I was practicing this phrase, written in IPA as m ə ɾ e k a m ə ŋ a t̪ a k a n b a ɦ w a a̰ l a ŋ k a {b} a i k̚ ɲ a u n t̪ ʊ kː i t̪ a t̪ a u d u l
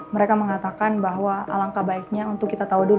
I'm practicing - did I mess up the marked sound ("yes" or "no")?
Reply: no